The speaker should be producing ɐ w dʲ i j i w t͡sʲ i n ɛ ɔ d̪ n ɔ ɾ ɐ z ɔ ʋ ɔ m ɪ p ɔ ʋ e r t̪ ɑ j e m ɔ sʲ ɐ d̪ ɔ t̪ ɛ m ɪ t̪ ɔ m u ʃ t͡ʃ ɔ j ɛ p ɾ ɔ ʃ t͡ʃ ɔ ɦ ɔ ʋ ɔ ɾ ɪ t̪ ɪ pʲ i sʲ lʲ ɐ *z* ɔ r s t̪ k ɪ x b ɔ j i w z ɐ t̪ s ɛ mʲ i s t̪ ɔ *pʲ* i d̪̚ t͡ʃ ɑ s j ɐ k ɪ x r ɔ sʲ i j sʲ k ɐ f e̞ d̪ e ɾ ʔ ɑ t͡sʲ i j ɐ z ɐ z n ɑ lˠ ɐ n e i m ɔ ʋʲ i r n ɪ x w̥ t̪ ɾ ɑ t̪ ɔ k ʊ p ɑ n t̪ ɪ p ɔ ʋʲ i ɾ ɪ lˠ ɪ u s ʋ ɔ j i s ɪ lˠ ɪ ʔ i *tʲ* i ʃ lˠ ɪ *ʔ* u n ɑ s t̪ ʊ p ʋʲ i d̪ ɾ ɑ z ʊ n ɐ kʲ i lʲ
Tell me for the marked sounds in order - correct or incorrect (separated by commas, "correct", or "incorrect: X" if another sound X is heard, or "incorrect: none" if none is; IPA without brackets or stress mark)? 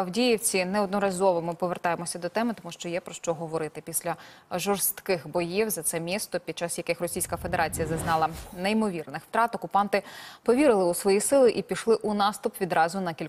incorrect: ʒ, correct, incorrect: pʲ, correct